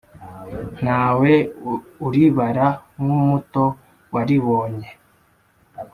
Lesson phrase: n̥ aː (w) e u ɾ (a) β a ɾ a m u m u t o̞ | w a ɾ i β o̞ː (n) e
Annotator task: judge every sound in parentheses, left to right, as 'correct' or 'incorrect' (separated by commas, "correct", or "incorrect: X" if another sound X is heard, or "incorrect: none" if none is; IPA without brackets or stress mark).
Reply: correct, incorrect: i, incorrect: ɲ